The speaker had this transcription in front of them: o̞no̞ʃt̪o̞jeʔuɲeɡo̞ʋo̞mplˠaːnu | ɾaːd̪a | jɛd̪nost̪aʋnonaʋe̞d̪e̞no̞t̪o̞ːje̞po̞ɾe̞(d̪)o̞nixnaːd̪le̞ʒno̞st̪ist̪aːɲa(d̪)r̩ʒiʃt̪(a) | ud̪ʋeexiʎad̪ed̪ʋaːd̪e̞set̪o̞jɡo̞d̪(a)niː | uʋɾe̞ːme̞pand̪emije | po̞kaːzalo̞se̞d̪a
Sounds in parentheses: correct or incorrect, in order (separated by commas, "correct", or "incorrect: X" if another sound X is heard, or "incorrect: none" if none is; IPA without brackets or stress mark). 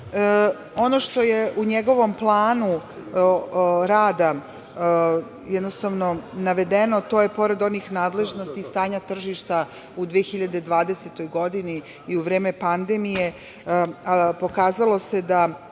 correct, incorrect: t̪, correct, incorrect: i